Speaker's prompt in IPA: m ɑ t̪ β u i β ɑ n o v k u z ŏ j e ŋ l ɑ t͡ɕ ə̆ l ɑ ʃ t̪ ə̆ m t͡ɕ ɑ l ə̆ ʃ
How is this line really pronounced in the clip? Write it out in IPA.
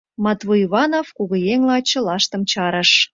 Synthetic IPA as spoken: m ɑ t̪ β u i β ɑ n o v k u ɣ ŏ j e ŋ l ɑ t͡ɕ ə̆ l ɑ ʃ t̪ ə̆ m t͡ɕ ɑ ɾ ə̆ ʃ